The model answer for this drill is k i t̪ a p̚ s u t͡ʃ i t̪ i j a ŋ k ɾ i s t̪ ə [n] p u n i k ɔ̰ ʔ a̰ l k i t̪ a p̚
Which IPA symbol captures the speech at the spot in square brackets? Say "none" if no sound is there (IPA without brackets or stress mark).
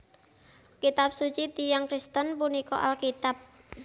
n